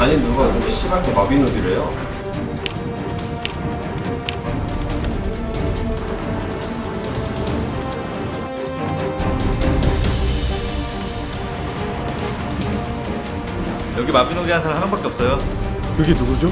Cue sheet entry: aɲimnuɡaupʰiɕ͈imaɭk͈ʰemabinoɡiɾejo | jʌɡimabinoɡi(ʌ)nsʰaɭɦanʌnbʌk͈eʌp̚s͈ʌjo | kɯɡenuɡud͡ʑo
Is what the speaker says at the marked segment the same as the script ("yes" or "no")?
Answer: no